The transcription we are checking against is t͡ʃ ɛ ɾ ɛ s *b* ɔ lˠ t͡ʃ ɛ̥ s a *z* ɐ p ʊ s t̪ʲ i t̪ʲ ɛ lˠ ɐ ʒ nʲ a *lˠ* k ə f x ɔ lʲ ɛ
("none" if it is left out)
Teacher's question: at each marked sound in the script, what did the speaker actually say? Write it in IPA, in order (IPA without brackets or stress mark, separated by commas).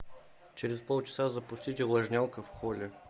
p, z, lˠ